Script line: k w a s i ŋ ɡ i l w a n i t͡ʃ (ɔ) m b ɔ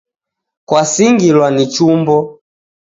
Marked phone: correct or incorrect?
incorrect